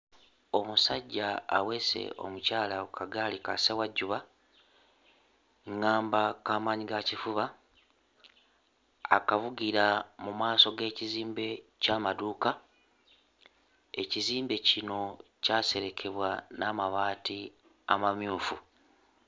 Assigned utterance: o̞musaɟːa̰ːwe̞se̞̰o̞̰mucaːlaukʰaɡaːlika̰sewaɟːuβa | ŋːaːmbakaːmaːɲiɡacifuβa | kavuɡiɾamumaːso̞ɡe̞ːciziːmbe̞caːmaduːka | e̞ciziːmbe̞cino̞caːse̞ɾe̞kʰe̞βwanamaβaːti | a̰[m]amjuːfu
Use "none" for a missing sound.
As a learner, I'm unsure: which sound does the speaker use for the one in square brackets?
m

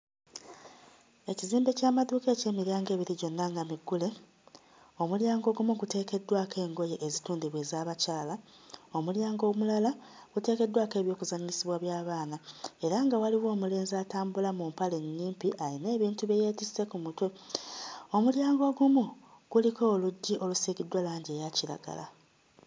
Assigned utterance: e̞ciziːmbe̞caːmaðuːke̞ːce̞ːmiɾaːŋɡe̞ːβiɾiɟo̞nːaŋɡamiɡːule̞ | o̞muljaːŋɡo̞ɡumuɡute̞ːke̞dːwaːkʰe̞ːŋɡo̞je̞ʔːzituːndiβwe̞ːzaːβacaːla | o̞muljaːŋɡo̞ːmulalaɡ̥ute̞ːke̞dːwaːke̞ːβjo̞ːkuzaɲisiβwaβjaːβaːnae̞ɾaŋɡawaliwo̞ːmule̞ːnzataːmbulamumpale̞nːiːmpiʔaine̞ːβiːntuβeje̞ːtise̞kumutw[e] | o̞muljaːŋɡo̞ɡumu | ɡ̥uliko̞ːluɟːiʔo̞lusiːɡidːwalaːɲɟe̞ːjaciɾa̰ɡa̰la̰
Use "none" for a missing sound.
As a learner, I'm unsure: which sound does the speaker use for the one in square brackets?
e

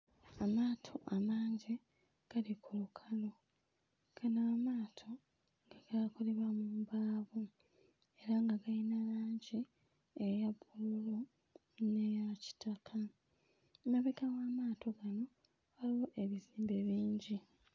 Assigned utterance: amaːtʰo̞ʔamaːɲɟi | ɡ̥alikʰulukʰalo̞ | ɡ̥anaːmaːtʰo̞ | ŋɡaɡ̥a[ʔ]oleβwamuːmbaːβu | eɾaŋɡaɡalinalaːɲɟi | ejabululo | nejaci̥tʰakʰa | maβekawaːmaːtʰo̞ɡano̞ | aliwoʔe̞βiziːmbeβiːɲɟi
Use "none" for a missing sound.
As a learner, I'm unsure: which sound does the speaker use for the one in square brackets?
k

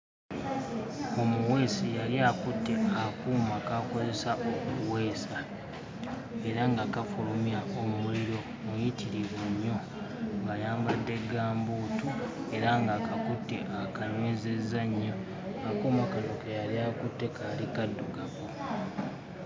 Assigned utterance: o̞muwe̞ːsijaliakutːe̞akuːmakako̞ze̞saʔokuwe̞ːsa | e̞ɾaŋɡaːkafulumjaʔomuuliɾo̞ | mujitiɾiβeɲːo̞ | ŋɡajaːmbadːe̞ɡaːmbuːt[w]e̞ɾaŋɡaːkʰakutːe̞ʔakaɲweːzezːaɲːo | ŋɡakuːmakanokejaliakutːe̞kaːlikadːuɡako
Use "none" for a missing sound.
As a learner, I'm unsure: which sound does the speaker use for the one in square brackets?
u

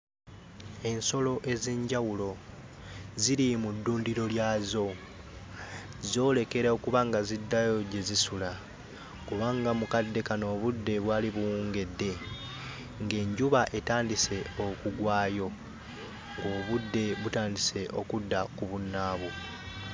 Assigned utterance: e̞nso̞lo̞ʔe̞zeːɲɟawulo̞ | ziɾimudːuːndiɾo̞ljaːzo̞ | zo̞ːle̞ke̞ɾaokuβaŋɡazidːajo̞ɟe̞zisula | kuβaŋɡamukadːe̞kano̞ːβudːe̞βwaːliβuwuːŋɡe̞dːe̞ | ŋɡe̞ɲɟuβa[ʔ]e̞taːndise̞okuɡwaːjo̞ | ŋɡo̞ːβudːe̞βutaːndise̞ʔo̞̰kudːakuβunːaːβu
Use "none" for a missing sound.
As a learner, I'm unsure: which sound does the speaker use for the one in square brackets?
ʔ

